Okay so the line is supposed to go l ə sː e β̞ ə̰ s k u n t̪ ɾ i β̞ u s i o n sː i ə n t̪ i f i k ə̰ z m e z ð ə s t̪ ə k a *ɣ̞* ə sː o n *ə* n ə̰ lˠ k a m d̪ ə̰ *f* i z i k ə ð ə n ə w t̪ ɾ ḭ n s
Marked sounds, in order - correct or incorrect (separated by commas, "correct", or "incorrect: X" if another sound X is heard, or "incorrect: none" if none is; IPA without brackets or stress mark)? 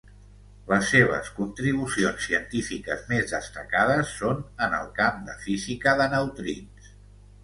incorrect: ð̞, correct, correct